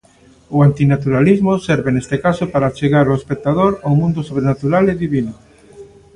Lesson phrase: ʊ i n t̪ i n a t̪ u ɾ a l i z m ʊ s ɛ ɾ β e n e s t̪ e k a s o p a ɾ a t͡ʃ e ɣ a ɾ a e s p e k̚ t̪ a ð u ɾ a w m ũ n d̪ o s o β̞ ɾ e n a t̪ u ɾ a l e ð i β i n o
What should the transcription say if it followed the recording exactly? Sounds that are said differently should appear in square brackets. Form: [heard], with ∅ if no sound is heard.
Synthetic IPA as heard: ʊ [a] n t̪ i n a t̪ u ɾ a l i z m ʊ s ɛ ɾ β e n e s t̪ e k a s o p a ɾ a t͡ʃ e ɣ a ɾ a e s p e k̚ t̪ a ð [o] ɾ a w m ũ n d̪ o s o β̞ ɾ e n a t̪ u ɾ a l e ð i β i n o